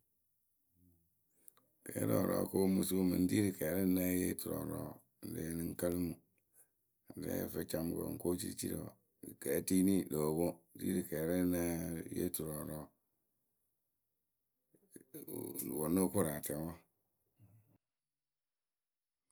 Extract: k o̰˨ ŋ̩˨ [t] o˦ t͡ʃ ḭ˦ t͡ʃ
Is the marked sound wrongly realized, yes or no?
yes